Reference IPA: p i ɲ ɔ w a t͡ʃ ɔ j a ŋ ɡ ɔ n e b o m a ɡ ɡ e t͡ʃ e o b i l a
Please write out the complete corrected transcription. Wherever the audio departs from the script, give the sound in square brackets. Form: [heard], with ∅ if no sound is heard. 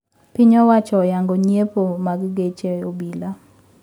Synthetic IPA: p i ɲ ɔ w a t͡ʃ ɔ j a ŋ ɡ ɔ [ɲ] e [p] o m a ɡ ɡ e t͡ʃ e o b i l a